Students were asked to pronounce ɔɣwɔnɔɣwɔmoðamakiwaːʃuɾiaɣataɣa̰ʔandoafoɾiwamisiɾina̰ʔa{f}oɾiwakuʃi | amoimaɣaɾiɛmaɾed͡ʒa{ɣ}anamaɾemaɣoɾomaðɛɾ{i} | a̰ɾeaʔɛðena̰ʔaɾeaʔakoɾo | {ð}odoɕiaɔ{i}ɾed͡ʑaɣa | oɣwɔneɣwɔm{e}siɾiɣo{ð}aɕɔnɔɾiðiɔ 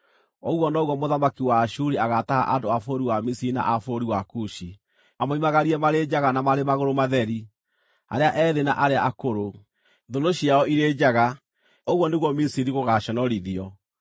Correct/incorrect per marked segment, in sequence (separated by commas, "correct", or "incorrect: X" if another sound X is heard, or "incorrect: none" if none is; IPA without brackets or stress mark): correct, correct, correct, correct, correct, incorrect: i, incorrect: ɣ